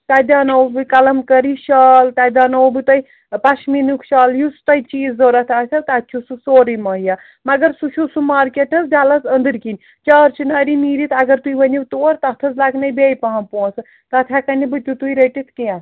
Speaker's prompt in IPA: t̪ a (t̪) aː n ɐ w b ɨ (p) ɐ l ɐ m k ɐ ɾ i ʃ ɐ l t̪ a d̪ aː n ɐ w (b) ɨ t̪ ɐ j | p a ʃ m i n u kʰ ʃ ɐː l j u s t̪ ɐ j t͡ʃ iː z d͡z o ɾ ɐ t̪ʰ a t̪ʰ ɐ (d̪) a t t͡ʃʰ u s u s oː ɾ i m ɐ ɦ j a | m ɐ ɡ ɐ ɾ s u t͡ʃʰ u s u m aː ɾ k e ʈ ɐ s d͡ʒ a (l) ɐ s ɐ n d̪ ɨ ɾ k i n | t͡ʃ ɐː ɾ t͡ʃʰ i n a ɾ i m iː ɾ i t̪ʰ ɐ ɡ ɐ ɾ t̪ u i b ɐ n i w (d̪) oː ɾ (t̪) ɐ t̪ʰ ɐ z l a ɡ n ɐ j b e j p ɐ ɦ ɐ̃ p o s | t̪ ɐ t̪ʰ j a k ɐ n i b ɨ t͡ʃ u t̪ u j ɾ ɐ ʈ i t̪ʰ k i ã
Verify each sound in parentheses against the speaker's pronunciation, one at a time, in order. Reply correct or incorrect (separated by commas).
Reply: incorrect, incorrect, correct, incorrect, correct, incorrect, correct